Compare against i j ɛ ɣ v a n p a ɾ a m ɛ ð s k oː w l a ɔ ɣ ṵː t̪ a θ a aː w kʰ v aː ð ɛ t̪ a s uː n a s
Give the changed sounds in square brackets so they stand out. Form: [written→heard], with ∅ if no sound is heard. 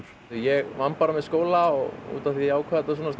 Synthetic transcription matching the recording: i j ɛ ɣ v a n p a ɾ a m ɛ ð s k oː w l a ɔ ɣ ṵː t̪ a θ [a→i] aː w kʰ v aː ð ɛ t̪ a s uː n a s